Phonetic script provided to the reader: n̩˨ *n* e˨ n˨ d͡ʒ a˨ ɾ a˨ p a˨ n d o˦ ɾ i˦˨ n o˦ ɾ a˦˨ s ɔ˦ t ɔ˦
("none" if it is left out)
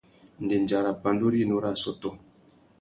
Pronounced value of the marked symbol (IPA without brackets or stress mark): d